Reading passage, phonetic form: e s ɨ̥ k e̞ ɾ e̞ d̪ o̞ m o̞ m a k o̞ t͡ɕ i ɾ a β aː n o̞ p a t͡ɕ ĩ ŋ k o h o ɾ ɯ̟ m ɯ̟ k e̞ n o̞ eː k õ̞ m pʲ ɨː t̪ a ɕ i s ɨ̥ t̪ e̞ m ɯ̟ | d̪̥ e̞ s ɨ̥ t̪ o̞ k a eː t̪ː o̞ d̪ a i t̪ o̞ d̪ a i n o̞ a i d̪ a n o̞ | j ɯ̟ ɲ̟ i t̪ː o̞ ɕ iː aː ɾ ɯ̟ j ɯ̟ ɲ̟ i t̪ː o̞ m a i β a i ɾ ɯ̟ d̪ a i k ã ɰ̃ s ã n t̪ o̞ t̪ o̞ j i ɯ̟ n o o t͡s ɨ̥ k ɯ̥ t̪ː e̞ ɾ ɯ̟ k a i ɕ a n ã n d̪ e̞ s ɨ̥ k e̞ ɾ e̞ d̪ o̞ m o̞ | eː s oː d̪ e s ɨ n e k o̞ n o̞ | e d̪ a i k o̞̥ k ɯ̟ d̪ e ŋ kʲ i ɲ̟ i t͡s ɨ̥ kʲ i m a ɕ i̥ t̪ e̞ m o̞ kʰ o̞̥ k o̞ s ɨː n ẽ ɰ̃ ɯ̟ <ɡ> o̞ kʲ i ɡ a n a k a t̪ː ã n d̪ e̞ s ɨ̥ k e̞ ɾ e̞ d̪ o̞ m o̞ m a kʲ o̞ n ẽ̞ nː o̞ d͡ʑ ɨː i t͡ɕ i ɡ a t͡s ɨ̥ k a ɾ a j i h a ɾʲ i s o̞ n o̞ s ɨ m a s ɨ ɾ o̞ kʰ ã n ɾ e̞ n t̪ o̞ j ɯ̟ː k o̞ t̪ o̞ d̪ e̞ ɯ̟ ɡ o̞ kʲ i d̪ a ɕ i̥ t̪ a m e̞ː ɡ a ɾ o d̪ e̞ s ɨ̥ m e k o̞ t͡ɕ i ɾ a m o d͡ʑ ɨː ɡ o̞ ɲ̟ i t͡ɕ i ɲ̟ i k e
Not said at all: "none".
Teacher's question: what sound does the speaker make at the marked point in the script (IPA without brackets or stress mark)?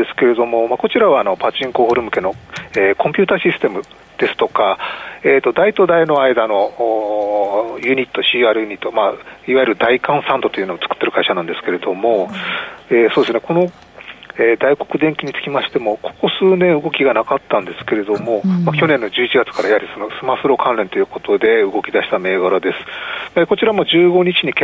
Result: ɡ